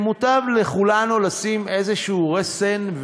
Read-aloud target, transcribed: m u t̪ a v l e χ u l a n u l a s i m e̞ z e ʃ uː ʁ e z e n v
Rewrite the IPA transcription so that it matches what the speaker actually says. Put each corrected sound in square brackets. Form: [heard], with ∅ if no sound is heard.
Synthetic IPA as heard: m u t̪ a v l e χ u l a n u l a s i m e̞ z e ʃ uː ʁ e [s] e n v